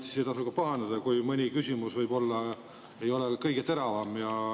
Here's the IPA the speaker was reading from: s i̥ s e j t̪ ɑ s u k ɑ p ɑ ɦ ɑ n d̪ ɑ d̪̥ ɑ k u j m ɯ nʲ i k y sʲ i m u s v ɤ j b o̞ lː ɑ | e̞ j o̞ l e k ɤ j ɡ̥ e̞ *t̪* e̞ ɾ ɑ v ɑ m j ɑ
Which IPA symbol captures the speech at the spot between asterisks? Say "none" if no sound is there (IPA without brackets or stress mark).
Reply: t̪